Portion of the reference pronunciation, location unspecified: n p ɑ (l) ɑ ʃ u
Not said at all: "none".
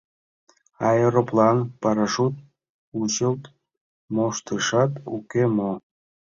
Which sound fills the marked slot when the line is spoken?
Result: ɾ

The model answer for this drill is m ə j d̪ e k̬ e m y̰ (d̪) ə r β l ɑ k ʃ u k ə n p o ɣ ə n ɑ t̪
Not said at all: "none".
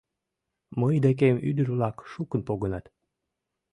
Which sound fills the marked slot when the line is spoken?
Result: d̪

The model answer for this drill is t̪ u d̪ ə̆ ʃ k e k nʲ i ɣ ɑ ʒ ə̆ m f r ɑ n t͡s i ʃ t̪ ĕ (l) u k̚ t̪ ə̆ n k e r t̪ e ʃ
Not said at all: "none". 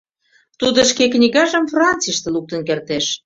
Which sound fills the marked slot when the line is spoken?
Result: l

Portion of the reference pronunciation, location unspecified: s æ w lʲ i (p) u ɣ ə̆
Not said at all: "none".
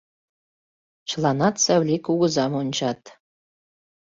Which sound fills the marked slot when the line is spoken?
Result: k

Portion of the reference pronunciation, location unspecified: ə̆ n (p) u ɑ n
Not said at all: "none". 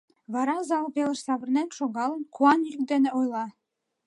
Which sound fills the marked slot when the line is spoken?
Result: k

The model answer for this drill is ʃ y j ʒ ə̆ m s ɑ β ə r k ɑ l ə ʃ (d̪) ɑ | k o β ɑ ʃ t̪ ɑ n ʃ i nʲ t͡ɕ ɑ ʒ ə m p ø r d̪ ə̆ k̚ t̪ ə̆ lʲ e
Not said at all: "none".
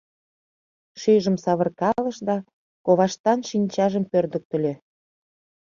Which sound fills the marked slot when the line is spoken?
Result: d̪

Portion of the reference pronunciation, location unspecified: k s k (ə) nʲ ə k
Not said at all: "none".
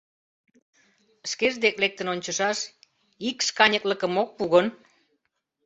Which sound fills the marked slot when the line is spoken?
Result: ɑ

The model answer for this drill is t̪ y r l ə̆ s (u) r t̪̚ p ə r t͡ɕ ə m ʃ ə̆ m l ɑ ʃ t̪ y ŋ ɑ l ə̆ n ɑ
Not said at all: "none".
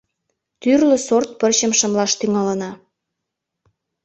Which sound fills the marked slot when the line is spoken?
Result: o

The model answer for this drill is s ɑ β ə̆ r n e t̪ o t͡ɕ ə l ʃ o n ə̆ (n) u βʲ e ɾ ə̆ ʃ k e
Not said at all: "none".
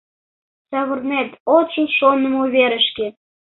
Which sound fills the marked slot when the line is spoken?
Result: m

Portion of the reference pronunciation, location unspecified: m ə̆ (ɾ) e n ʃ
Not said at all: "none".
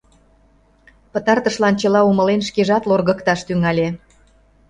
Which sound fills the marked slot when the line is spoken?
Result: l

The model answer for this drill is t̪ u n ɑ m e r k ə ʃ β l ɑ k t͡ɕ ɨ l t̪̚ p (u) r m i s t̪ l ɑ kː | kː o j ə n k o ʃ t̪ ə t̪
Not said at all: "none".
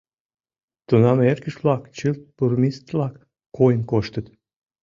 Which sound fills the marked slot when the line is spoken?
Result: u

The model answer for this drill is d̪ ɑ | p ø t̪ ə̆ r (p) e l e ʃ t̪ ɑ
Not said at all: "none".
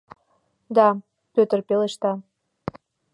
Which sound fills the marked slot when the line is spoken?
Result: p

